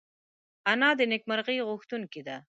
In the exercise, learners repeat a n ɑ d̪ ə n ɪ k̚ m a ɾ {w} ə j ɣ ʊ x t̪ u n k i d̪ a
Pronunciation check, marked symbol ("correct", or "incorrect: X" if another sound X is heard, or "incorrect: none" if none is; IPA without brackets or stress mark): incorrect: ɣ